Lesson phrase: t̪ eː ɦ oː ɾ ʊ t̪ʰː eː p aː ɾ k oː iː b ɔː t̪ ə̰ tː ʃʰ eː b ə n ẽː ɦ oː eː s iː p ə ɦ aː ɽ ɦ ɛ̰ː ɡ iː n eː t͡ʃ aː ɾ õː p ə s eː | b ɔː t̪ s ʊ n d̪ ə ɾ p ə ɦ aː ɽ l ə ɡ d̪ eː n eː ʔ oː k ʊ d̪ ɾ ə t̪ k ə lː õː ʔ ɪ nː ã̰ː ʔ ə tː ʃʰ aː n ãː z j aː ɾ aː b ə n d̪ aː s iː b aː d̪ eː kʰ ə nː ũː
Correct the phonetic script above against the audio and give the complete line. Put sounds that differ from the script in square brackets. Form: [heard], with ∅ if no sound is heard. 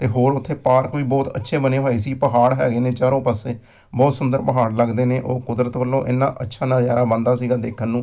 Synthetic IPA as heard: t̪ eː ɦ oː ɾ ʊ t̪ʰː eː p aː ɾ k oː iː b ɔː t̪ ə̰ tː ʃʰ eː b ə n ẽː ɦ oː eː s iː p ə ɦ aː ɽ ɦ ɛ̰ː ɡ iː n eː t͡ʃ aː ɾ õː p ə s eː | b ɔː t̪ s ʊ n d̪ ə ɾ p ə ɦ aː ɽ l ə ɡ d̪ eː n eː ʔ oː k ʊ d̪ ɾ ə t̪ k ə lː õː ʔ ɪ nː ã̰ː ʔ ə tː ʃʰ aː n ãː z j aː ɾ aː b ə n d̪ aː s iː [ɡ] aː d̪ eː kʰ ə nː ũː